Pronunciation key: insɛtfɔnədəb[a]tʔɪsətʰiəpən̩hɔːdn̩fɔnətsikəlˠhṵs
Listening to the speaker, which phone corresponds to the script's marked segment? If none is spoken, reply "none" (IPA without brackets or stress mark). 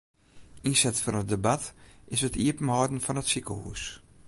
a